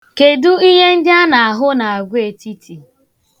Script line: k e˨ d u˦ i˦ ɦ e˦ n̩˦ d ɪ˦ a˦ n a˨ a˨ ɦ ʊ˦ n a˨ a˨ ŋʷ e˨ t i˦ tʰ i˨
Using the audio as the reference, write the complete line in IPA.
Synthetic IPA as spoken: k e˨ d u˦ i˦ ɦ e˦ n̩˦ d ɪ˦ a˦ n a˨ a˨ ɦ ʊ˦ n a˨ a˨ ɡʷ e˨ t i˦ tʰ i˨